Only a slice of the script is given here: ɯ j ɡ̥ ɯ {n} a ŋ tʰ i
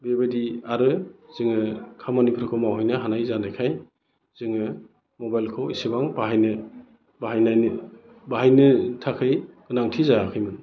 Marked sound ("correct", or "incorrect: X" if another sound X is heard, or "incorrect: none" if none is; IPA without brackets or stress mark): correct